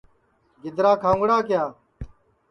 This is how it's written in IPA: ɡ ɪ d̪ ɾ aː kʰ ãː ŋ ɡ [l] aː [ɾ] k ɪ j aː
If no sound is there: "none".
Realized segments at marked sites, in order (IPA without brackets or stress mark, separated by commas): ɽ, none